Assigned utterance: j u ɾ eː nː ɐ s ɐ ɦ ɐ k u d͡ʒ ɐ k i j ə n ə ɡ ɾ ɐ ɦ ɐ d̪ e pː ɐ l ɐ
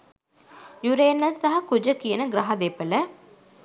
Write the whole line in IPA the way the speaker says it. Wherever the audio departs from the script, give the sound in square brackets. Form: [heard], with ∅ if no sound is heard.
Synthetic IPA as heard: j u ɾ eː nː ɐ s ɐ ɦ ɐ k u d͡ʒ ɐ k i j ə n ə ɡ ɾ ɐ ɦ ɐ d̪ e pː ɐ l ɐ